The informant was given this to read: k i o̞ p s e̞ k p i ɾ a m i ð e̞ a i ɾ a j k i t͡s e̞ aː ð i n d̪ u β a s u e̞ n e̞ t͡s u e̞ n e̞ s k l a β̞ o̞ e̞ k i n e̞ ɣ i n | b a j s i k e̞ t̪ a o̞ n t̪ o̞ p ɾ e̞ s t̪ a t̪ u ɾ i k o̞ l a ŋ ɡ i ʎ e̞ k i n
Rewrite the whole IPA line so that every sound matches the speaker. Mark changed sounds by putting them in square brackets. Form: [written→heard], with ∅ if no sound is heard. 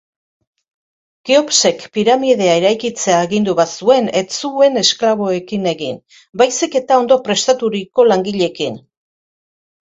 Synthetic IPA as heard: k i o̞ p s e̞ k p i ɾ a m i ð e̞ a [i→e] ɾ a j k i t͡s e̞ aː [ð→ɣ] i n d̪ u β a s u e̞ n e̞ t͡s u e̞ n e̞ s k l a β̞ o̞ e̞ k i n e̞ ɣ i n | b a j s i k e̞ t̪ a o̞ n [t̪→d̪] o̞ p ɾ e̞ s t̪ a t̪ u ɾ i k o̞ l a ŋ ɡ i ʎ e̞ k i n